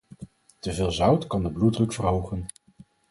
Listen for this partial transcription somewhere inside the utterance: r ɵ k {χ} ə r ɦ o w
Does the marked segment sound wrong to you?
yes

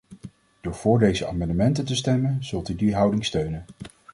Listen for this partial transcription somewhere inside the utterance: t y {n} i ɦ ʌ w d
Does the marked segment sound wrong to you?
yes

